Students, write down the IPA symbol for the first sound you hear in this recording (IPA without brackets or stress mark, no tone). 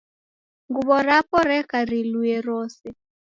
ŋ